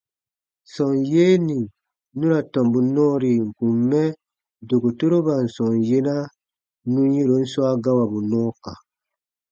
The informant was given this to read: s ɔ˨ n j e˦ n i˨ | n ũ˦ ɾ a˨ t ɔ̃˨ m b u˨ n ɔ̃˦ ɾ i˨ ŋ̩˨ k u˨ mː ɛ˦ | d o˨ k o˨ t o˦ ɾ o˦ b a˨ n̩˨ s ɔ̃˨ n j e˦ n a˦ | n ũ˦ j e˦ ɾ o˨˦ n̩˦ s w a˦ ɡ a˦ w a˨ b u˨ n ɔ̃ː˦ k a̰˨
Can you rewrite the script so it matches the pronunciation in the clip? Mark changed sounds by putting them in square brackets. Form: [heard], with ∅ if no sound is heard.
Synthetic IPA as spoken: s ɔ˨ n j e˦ n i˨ | n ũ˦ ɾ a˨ t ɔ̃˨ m b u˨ n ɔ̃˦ ɾ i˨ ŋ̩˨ k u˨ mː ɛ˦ | d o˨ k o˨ t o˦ ɾ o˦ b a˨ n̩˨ s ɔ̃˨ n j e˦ n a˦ | n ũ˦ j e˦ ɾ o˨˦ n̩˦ s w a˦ ɡ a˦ w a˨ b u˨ n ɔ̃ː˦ k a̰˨